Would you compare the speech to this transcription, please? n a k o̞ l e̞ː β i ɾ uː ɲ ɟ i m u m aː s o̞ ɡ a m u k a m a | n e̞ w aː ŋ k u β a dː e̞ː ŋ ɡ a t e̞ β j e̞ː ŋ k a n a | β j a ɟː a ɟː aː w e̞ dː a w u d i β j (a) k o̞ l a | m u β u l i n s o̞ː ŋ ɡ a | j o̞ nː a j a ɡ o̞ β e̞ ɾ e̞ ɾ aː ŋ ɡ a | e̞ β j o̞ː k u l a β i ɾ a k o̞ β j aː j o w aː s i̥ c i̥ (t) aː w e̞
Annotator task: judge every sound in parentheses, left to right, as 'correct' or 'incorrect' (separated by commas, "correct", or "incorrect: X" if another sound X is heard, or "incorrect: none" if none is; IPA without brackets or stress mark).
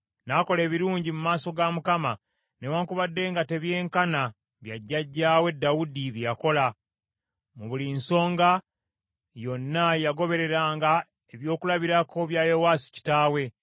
correct, correct